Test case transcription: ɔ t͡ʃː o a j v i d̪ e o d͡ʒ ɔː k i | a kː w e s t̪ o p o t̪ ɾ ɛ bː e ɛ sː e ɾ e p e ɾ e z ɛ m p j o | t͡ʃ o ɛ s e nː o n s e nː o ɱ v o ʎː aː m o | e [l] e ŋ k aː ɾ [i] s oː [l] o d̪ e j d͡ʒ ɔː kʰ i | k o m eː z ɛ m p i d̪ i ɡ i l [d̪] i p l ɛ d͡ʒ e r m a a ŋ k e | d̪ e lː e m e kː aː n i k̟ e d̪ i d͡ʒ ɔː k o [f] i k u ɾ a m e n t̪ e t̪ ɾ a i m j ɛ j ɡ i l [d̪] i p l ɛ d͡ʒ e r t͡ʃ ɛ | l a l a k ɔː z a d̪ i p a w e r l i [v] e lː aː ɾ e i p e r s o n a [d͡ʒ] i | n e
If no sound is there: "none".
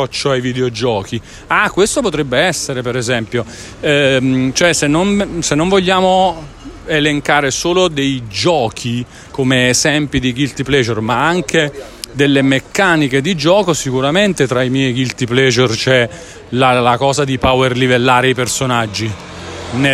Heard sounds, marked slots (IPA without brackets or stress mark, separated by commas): l, e, l, t̪, s, t̪, v, d͡ʒː